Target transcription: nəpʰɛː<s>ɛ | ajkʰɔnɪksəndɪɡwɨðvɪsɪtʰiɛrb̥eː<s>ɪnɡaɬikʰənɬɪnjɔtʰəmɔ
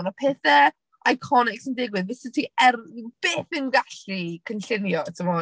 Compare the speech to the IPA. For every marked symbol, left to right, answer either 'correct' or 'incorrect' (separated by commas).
incorrect, incorrect